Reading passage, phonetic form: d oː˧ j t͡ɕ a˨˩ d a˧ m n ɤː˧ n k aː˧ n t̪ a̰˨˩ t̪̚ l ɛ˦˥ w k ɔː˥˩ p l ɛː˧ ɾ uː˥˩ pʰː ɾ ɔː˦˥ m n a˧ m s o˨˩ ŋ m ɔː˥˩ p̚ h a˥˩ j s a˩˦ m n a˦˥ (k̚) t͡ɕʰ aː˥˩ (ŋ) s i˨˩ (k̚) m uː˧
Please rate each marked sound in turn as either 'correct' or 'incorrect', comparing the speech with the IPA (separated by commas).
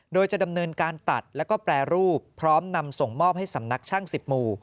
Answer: correct, correct, incorrect